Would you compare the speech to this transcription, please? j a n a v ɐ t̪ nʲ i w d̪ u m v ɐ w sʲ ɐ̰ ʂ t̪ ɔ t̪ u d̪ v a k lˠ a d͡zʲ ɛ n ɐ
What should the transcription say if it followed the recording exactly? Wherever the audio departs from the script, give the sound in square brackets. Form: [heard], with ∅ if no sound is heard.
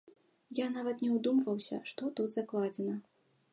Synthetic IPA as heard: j a n a v ɐ t̪ nʲ [ɛ] w d̪ u m v ɐ w sʲ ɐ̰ ʂ t̪ ɔ t̪ u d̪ [z] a k lˠ a d͡zʲ ɛ n ɐ